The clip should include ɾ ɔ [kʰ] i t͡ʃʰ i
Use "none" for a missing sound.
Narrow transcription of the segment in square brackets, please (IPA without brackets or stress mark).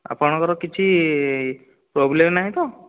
k